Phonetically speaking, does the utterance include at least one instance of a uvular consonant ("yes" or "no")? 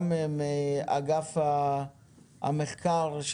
yes